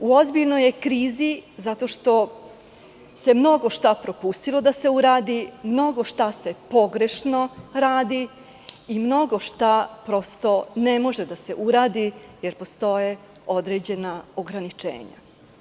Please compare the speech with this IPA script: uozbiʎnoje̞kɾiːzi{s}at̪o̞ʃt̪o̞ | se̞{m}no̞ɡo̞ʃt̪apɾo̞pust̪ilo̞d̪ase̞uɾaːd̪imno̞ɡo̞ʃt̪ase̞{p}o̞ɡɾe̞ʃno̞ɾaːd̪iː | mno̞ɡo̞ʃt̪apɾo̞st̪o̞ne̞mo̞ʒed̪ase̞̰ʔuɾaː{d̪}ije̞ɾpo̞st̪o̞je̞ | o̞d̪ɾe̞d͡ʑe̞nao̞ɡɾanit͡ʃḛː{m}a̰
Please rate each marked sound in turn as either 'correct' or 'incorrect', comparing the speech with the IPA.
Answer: incorrect, correct, correct, correct, incorrect

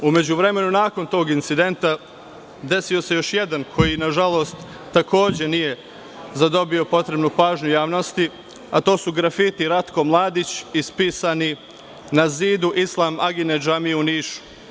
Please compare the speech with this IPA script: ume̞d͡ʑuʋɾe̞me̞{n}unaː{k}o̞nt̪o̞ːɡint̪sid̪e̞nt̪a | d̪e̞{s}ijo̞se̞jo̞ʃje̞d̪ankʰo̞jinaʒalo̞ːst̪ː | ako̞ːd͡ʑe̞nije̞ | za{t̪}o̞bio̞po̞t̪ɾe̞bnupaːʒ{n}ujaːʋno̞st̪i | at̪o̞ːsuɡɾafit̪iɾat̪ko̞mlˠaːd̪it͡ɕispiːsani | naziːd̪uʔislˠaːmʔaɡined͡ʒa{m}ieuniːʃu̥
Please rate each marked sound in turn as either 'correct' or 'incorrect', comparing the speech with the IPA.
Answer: correct, correct, correct, incorrect, incorrect, correct

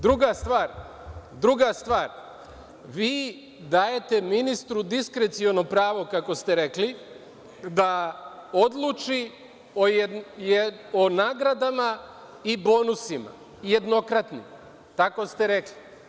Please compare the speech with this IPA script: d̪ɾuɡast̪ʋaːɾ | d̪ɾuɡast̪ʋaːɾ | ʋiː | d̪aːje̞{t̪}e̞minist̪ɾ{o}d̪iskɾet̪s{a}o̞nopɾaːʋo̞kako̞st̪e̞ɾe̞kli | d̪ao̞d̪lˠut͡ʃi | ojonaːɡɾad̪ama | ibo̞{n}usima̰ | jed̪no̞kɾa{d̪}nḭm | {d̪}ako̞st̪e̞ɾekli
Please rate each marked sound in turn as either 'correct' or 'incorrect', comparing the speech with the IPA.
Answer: correct, incorrect, incorrect, correct, incorrect, incorrect

